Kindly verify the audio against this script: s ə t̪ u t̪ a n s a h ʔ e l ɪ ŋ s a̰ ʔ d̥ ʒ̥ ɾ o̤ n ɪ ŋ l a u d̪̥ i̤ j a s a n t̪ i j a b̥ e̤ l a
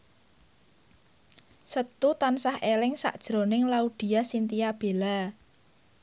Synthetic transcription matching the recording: s ə t̪ u t̪ a n s a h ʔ e l ɪ ŋ s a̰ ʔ d̥ ʒ̥ ɾ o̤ n ɪ ŋ l a u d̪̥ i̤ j a s i n t̪ i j a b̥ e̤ l a